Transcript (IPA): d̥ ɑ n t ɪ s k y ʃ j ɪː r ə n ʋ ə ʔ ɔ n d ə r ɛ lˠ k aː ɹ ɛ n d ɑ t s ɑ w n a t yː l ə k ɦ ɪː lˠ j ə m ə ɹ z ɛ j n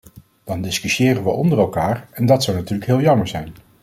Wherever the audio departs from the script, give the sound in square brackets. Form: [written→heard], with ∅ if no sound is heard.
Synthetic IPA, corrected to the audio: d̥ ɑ n [t→d] ɪ s k y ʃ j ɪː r ə n ʋ ə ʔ ɔ n d ə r ɛ lˠ k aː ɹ ɛ n d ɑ t s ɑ w n a t yː l ə k ɦ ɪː lˠ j [ə→ɑ] m ə ɹ z ɛ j n